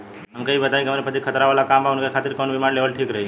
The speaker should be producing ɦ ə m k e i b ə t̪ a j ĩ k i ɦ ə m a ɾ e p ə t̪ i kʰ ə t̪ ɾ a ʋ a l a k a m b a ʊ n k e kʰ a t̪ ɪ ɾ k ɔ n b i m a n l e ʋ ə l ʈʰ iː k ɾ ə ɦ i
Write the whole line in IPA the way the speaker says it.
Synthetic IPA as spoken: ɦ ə m k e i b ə t̪ a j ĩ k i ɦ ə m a ɾ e p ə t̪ i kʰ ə t̪ ɾ a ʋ a l a k a m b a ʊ n k e kʰ a t̪ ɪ ɾ k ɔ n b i m a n l e ʋ ə l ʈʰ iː k ɾ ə ɦ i